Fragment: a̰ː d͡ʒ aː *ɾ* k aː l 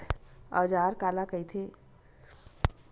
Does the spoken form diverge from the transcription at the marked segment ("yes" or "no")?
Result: no